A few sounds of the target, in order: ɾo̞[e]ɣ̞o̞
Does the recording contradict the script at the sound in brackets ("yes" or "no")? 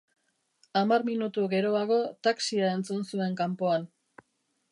yes